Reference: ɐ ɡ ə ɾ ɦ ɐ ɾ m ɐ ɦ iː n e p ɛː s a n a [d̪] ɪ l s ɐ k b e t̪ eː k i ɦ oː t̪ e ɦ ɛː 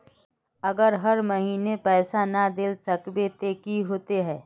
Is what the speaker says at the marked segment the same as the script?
yes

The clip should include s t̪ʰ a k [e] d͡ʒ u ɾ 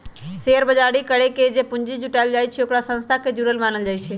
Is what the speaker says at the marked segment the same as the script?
yes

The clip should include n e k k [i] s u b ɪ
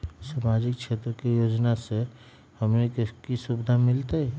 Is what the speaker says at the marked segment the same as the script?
yes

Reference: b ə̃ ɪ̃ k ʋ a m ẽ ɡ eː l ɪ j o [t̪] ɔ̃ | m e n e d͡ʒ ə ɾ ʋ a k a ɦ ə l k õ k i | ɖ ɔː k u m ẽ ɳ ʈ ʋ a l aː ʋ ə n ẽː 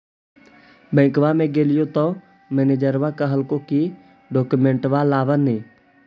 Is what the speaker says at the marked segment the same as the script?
yes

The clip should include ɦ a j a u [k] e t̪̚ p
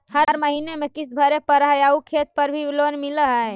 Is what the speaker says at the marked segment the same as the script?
no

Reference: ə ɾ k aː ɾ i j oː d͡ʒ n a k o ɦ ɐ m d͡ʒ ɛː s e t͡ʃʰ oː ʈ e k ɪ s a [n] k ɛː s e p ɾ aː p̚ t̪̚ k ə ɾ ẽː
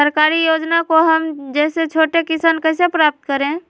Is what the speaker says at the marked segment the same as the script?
yes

